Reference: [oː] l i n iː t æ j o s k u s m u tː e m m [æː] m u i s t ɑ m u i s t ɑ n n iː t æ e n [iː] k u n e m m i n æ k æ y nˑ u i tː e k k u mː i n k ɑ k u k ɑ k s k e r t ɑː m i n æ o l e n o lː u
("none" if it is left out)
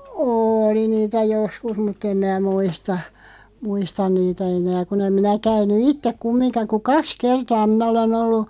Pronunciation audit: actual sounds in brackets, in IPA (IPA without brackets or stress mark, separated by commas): oː, æː, æː